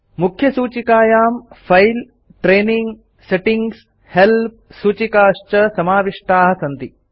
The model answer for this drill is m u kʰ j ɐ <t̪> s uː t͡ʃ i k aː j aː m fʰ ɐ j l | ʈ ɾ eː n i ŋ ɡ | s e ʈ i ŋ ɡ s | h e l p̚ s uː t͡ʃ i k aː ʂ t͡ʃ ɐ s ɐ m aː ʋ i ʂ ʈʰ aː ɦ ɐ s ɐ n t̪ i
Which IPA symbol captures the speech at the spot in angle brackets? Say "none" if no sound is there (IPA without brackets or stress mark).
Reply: none